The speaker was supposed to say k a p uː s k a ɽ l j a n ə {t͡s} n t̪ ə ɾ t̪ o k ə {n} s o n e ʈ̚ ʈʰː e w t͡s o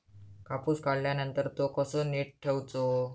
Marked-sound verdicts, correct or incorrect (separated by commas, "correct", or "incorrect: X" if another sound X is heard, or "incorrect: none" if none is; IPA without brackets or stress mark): incorrect: none, incorrect: none